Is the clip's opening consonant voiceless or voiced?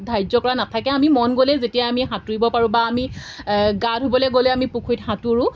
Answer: voiced